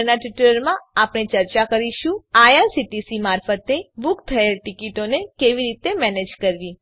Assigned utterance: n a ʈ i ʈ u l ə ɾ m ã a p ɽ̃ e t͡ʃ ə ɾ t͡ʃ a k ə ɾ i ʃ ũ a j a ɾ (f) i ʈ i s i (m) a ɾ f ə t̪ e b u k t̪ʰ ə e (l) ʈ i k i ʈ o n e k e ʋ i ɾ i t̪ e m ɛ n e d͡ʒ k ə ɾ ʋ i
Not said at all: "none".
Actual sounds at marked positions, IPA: s, m, l

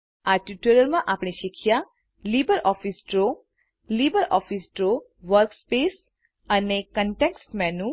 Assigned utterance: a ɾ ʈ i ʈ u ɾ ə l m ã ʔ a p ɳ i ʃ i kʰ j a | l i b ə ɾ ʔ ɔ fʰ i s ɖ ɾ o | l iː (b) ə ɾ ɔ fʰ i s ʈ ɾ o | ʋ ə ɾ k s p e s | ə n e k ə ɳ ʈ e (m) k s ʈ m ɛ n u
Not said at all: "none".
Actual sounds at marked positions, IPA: b, none

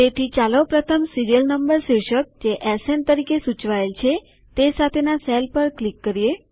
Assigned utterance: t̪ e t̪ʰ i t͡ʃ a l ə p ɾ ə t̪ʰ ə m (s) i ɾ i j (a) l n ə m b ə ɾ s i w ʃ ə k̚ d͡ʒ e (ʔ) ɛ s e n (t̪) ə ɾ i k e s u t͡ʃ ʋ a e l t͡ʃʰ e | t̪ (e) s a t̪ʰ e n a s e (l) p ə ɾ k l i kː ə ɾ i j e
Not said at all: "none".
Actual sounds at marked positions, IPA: s, ə, ʔ, t̪, e, l

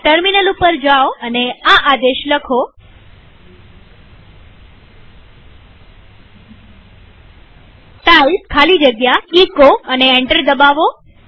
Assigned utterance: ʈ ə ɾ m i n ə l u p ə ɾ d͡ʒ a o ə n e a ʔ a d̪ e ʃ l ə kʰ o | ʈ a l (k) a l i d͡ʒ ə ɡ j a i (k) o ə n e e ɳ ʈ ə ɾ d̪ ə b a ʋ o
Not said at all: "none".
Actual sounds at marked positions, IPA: kʰ, k

